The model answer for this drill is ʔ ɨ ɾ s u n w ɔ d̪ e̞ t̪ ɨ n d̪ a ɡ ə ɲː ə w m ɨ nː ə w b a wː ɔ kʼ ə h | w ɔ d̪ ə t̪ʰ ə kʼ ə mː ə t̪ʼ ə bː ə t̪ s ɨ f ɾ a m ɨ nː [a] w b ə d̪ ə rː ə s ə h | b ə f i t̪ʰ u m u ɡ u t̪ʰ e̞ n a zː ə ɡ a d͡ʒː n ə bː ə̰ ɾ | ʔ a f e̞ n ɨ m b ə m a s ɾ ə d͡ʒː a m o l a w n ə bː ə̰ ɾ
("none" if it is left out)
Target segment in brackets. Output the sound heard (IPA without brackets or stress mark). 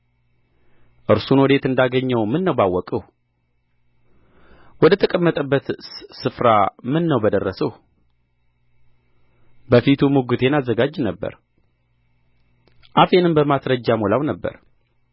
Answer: ə